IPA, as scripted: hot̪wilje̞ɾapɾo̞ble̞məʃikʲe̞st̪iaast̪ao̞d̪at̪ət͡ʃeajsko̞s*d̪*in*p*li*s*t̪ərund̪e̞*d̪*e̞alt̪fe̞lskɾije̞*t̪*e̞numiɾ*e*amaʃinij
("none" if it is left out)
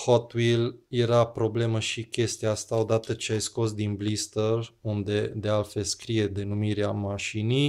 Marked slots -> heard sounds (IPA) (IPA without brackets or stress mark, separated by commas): d̪, b, s, d̪, d̪, e